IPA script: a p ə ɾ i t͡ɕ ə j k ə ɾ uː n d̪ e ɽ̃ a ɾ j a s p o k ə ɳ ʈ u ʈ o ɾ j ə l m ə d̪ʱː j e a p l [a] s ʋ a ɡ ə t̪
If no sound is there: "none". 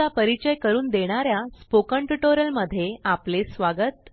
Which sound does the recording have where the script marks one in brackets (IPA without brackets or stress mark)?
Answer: e